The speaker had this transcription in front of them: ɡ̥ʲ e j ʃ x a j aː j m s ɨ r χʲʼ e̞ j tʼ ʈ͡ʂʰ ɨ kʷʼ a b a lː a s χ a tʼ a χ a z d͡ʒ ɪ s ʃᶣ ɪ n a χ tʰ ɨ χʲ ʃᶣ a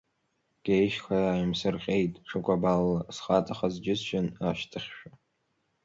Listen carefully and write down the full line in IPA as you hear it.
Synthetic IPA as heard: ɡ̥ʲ e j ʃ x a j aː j m s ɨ r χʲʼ e̞ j tʼ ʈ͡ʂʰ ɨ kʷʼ a b a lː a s χ a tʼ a χ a z d͡ʒ ɪ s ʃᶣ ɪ n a ʃ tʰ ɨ χʲ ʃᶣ a